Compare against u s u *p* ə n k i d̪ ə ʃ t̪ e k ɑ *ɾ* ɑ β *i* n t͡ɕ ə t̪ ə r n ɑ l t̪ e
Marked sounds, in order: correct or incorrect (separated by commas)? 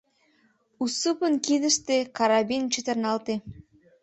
correct, correct, correct